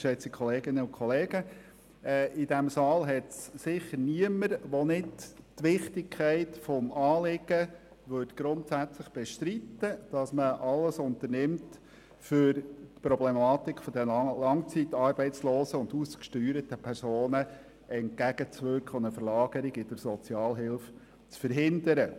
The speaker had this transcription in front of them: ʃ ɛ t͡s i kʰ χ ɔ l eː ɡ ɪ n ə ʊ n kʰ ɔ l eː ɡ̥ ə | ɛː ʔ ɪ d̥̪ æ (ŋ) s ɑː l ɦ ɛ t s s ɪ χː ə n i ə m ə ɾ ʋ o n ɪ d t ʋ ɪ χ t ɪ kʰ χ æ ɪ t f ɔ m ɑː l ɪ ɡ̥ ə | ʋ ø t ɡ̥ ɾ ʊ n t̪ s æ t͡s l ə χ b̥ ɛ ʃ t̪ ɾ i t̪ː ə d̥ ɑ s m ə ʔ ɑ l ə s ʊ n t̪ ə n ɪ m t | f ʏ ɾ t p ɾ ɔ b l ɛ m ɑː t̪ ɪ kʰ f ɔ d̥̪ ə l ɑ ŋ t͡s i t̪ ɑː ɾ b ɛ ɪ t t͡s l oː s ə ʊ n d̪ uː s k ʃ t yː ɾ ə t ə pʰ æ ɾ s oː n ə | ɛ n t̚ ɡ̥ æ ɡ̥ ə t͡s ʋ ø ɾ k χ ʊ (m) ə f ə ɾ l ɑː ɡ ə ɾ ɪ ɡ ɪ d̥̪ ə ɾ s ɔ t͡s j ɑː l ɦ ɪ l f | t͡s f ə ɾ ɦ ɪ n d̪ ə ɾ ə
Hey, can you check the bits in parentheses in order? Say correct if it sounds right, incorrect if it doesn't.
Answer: incorrect: m, incorrect: n

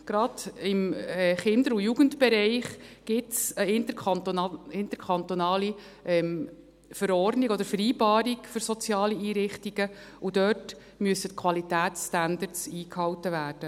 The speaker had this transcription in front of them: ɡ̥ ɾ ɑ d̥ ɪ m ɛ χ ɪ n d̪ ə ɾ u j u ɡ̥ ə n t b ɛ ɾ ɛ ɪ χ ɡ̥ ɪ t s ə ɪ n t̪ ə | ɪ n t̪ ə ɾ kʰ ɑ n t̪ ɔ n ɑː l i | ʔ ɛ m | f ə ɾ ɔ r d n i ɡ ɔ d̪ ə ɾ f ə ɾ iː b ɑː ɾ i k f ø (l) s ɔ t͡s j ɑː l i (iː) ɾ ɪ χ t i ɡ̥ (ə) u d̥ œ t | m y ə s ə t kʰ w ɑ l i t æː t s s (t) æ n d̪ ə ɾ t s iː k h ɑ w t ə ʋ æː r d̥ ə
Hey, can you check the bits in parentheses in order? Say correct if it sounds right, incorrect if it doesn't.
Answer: incorrect: ɾ, correct, correct, correct

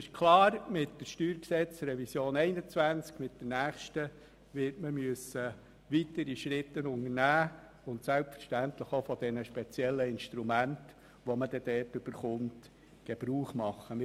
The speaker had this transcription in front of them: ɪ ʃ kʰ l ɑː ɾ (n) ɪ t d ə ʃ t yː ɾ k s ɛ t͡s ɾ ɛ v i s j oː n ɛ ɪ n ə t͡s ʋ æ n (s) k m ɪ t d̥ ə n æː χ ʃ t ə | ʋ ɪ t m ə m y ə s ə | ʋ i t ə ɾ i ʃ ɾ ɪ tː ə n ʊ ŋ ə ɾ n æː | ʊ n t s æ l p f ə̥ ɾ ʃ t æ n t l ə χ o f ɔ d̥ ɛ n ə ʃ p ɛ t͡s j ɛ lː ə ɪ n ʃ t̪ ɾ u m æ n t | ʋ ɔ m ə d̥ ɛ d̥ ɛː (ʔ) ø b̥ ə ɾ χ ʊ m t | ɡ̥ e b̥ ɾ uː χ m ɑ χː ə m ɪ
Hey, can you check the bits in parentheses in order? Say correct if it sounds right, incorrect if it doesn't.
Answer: incorrect: m, incorrect: t͡s, incorrect: t

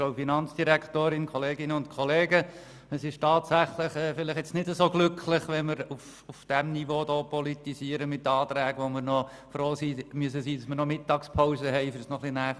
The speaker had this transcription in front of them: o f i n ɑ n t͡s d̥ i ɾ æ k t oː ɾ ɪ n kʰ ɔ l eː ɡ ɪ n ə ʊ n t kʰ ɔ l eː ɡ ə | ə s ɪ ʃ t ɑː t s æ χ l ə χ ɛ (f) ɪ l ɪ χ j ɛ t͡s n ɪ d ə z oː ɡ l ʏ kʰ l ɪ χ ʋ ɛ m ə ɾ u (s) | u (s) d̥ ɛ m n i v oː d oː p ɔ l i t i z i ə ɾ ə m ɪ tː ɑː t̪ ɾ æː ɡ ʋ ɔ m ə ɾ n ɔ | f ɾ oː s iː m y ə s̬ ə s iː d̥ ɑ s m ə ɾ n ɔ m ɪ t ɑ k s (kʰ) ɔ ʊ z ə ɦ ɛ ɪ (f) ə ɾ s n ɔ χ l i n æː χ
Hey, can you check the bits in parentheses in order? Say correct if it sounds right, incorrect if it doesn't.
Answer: correct, incorrect: f, incorrect: f, incorrect: pʰ, correct

